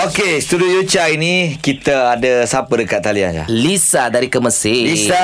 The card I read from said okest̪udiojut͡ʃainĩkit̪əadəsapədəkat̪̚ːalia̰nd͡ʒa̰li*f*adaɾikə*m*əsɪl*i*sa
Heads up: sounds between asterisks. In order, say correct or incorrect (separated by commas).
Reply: incorrect, correct, correct